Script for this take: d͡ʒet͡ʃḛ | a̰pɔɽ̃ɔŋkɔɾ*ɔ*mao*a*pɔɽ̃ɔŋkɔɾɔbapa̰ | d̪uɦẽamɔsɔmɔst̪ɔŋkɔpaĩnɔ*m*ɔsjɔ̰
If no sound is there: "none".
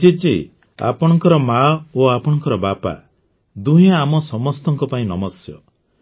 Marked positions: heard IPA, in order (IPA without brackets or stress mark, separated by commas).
ɔ, a, m